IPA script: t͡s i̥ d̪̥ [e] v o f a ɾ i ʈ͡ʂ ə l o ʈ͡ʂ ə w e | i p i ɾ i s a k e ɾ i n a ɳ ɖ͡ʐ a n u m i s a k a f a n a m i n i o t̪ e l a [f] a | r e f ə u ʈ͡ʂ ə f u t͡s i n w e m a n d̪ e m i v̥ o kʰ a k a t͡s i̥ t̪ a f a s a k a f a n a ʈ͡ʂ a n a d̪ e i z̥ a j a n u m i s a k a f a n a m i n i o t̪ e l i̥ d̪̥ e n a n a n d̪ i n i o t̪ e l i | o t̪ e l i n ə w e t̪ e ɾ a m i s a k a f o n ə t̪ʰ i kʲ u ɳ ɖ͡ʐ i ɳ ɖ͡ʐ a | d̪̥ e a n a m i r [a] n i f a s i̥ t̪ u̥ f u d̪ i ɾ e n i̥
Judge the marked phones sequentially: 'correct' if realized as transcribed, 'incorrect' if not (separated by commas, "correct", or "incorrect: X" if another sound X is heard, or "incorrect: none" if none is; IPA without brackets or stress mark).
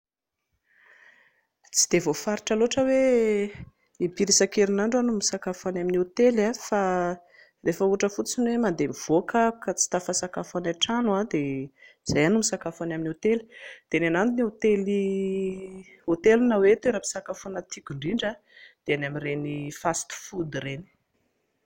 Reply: correct, correct, incorrect: e